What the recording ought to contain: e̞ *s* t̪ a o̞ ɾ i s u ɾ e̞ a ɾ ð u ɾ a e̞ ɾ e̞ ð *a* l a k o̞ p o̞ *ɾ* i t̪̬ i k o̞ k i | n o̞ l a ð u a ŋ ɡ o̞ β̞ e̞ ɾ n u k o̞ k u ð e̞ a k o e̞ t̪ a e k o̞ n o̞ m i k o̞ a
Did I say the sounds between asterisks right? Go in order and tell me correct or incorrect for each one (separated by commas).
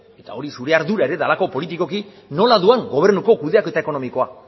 incorrect, correct, incorrect